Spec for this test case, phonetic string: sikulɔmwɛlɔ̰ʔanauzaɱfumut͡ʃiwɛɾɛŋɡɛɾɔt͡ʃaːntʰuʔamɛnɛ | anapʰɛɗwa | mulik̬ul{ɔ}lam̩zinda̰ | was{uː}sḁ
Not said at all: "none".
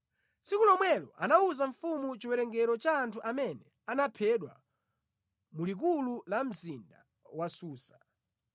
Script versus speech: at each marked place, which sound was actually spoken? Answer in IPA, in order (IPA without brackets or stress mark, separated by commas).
u, uː